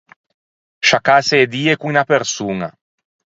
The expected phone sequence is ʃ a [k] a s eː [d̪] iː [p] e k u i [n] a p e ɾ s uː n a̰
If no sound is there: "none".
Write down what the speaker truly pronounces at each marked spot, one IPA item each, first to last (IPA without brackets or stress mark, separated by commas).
k, d̪, none, n